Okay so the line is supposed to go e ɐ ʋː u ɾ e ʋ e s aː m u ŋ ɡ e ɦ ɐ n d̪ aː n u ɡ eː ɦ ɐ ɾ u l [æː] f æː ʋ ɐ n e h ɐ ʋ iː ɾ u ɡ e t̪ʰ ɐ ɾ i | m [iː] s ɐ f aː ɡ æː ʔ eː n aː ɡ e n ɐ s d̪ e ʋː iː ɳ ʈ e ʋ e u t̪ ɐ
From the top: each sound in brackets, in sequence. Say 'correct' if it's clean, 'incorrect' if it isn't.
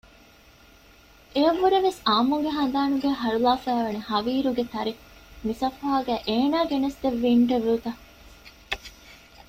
incorrect: aː, incorrect: i

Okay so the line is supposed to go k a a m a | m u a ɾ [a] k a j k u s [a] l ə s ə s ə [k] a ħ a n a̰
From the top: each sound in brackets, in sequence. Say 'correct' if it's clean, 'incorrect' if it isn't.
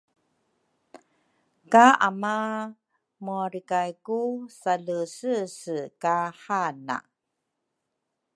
incorrect: i, correct, correct

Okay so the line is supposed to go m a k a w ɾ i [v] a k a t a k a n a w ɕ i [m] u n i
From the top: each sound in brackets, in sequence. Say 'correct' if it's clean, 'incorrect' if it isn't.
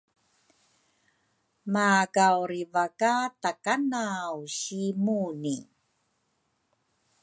correct, correct

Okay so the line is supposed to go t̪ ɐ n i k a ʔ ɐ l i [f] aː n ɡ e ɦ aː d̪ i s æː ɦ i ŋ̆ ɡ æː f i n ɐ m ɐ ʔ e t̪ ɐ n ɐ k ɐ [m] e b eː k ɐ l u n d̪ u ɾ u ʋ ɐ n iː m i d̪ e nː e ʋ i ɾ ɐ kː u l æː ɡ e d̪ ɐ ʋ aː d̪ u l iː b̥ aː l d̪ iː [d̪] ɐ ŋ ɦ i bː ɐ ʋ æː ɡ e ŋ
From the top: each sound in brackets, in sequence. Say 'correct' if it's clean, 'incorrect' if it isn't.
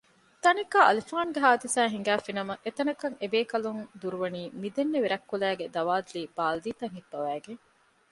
correct, incorrect: ŋ, incorrect: t̪

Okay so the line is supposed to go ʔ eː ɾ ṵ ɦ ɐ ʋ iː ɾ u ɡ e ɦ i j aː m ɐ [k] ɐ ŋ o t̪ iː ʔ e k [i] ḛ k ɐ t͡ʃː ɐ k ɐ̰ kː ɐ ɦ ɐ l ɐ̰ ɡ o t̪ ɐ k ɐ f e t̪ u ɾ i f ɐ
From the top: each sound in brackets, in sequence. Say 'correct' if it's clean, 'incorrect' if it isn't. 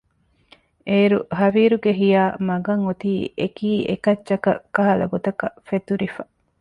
incorrect: ɡ, incorrect: iː

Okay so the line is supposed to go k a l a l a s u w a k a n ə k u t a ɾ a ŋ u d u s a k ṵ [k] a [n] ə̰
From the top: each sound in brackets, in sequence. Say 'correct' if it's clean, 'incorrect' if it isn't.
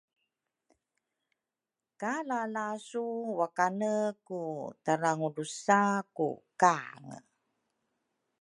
correct, incorrect: ŋ

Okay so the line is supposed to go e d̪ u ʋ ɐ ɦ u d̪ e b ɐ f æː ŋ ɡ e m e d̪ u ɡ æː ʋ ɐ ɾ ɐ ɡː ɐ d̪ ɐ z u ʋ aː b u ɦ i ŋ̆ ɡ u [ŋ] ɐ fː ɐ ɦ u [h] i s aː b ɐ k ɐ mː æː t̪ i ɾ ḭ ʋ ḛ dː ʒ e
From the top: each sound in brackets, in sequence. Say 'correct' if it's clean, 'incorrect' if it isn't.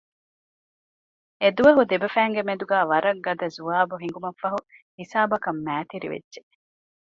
incorrect: m, correct

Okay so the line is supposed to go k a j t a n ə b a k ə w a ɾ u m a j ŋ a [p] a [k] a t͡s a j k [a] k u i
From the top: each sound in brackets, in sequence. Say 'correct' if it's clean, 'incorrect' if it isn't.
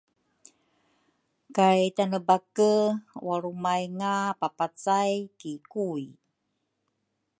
correct, incorrect: p, incorrect: i

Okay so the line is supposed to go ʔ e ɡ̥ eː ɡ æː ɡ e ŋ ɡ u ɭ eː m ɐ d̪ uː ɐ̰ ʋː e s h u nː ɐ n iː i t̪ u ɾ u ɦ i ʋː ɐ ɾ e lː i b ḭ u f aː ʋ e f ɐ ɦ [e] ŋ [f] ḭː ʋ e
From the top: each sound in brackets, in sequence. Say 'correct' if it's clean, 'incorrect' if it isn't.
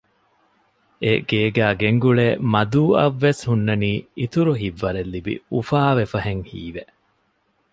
correct, incorrect: h

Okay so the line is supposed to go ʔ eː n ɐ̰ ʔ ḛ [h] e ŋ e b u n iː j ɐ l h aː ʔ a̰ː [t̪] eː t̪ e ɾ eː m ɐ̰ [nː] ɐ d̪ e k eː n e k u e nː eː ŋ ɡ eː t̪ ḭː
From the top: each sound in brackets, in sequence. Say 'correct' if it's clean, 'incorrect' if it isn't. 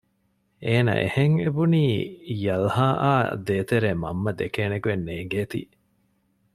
correct, incorrect: d̪, incorrect: mː

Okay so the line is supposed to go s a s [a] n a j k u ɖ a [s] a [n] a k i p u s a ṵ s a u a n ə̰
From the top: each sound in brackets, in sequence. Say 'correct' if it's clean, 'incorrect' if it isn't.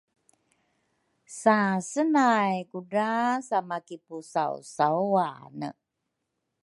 incorrect: ə, correct, incorrect: m

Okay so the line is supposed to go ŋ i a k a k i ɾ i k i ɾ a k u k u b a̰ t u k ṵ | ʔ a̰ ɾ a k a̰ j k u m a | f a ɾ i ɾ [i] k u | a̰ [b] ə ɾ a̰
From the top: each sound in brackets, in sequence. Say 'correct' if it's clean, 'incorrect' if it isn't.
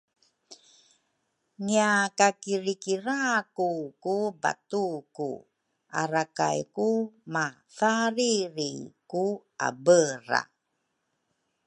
correct, correct

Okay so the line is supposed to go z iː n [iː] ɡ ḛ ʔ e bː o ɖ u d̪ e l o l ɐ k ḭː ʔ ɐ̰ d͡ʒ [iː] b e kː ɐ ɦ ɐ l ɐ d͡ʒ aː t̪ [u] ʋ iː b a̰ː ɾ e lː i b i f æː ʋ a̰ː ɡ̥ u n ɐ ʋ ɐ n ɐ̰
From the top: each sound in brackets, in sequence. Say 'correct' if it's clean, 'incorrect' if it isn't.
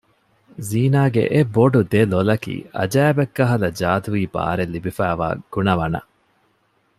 incorrect: aː, incorrect: æː, correct

